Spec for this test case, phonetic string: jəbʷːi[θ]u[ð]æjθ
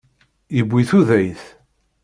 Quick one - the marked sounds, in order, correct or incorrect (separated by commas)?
correct, correct